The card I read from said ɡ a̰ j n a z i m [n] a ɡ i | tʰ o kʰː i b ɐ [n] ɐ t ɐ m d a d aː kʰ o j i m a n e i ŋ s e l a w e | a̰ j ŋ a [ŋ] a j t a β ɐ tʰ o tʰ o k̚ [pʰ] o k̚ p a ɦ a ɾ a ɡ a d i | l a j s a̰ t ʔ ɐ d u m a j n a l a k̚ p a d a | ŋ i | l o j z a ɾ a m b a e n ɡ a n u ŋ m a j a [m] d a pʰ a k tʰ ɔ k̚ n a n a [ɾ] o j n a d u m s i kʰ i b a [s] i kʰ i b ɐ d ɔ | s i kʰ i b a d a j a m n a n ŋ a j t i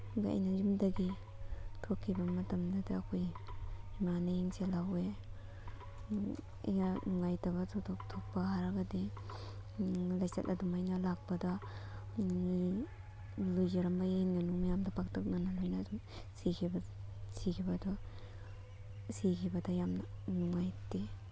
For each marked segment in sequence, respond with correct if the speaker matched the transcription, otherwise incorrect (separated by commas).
incorrect, incorrect, correct, incorrect, correct, incorrect, correct